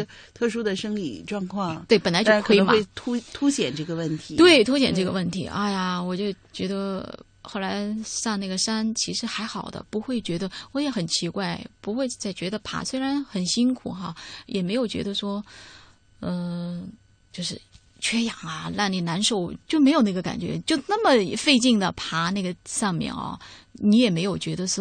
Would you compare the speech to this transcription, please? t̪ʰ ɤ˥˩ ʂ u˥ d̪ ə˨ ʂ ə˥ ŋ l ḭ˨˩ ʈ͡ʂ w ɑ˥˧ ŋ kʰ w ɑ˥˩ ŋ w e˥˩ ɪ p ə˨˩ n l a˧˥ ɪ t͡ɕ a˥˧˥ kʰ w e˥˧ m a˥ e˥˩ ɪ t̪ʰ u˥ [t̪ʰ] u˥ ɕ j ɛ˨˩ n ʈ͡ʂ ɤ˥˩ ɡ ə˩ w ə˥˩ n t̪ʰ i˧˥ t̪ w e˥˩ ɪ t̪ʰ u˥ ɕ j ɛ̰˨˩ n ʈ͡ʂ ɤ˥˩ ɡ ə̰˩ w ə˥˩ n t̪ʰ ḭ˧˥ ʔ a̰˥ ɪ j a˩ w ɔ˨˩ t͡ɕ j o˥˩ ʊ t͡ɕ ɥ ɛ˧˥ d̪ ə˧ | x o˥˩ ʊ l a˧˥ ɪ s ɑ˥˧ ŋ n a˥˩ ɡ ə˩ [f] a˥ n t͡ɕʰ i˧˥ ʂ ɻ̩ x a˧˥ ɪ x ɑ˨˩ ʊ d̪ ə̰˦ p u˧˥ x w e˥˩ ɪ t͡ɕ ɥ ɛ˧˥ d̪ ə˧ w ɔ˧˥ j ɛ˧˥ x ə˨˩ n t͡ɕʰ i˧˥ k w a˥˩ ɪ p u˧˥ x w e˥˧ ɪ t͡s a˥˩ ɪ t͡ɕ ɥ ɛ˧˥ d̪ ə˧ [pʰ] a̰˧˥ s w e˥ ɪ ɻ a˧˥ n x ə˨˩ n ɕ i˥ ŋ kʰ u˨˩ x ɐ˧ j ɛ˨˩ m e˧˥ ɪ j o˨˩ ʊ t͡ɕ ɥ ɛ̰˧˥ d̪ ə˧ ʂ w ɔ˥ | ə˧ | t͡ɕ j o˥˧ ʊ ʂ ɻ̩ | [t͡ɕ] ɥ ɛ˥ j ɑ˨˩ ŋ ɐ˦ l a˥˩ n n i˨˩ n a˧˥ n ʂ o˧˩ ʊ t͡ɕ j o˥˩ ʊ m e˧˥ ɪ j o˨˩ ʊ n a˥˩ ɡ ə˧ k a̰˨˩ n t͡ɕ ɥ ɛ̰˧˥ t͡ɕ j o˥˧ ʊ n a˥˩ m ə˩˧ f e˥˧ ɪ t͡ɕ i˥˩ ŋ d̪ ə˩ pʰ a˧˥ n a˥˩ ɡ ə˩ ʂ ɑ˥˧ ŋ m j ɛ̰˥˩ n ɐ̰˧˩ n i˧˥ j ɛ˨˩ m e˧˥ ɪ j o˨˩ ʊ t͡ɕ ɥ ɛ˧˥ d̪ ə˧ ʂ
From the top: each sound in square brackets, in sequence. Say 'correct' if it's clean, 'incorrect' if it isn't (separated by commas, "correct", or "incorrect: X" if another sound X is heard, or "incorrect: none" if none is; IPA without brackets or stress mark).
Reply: correct, incorrect: ʂ, correct, incorrect: t͡ɕʰ